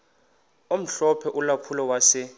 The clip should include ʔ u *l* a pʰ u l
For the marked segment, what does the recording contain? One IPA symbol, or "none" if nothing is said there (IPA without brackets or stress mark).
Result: l